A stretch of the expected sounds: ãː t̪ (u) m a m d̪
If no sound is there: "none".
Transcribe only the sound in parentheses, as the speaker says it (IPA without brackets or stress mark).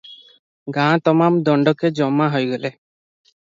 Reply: ɔ